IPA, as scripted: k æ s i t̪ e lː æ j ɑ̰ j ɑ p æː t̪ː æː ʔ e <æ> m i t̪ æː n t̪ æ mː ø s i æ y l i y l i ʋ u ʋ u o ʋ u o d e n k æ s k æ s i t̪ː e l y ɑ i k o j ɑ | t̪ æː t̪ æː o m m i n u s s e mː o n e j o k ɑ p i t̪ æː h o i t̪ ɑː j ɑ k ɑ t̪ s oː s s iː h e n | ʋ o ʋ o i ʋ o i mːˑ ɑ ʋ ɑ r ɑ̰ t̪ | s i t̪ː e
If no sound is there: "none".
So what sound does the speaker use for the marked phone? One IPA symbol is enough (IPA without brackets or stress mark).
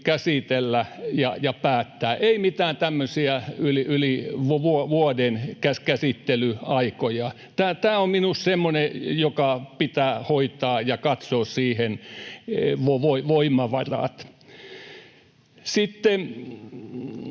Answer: i